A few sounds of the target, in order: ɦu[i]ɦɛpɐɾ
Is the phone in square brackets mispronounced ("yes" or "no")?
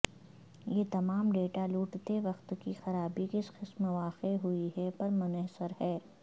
no